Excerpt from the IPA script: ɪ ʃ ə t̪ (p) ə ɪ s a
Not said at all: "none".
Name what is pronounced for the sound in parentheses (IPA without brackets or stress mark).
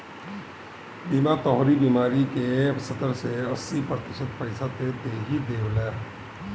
p